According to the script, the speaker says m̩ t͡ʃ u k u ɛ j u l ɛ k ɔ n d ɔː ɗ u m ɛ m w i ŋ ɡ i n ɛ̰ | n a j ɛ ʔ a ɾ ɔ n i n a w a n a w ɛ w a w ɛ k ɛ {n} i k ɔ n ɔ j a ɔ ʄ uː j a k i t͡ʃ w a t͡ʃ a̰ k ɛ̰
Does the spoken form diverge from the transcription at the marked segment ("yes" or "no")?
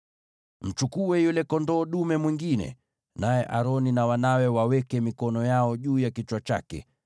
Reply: yes